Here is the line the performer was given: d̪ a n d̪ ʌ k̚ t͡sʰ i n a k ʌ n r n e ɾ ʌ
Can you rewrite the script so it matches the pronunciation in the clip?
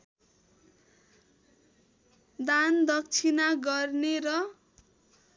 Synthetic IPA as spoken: d̪ a n d̪ ʌ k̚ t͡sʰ i n a ɡ ʌ r n e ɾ ʌ

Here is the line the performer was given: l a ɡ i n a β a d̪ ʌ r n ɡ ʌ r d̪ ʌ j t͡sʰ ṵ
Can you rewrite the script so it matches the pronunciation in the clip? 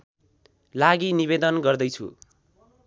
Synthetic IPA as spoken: l a ɡ i n i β e d̪ ʌ n ɡ ʌ r d̪ ʌ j t͡sʰ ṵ

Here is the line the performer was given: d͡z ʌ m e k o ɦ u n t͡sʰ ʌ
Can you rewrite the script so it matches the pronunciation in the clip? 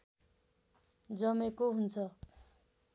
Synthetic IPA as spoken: d͡z ʌ m e k o ɦ u n t͡sʰ ʌ

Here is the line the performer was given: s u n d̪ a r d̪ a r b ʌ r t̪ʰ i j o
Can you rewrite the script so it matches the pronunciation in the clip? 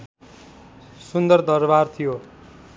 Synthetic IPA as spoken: s u n d̪ ʌ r d̪ ʌ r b a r t̪ʰ i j o

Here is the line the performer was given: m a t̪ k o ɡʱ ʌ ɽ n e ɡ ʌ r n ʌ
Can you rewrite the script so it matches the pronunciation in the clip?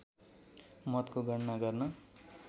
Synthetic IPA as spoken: m ʌ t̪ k o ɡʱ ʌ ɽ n a ɡ ʌ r n ʌ

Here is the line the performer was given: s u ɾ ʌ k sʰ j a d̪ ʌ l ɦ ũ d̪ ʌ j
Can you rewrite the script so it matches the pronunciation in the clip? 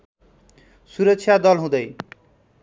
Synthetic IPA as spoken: s u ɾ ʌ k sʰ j a d̪ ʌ l ɦ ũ d̪ ʌ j

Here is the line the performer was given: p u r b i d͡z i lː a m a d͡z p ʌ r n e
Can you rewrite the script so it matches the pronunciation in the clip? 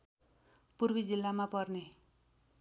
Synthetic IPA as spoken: p u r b i d͡z i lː a m a p ʌ r n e

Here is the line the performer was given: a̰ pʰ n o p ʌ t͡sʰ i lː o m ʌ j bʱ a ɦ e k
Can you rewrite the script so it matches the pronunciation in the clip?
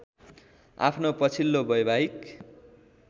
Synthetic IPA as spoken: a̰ pʰ n o p ʌ t͡sʰ i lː o b ʌ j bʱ a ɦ i k

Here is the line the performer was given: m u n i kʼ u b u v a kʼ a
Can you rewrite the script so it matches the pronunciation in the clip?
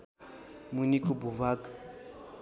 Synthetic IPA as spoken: m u n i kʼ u b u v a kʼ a

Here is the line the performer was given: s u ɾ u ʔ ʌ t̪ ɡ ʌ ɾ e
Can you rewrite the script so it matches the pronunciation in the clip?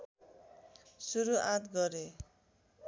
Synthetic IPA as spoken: s u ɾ u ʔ a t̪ ɡ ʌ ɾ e

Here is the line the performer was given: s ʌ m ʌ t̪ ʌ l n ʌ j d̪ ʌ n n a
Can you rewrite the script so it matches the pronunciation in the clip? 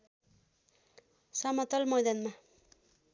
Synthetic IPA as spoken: s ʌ m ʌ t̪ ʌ l m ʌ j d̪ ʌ n m a

